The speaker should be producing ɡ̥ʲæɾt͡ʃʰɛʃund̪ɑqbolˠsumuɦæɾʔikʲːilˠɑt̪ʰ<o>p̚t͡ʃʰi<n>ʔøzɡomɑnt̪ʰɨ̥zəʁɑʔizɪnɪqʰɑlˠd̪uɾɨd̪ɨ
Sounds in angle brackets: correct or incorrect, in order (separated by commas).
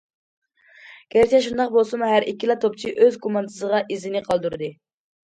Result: correct, incorrect